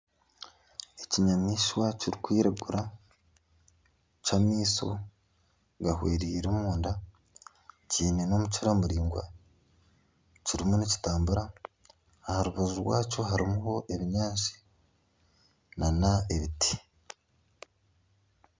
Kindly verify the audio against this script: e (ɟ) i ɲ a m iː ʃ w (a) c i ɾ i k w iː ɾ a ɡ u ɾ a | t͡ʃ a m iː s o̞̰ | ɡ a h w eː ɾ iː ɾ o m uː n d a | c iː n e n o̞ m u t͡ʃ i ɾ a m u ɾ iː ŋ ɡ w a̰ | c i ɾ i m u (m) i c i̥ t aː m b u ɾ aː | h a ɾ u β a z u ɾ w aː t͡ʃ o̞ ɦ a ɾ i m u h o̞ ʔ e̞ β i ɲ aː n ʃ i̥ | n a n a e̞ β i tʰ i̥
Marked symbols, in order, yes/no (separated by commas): no, yes, no